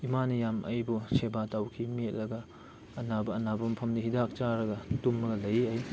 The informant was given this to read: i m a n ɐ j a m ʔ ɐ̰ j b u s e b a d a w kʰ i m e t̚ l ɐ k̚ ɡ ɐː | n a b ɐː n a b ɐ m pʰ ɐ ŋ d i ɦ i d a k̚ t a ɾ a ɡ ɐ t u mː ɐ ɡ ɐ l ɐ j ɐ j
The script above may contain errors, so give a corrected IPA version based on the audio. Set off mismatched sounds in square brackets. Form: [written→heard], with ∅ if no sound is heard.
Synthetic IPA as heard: i m a n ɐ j a m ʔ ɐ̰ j b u s e b a [d→t] a w kʰ i m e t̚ l ɐ [k̚→∅] ɡ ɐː | n a b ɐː n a b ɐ m pʰ ɐ [ŋ→m] d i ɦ i d a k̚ [t→t͡ʃ] a ɾ [a→ɐ] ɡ ɐ t u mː ɐ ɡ ɐ l ɐ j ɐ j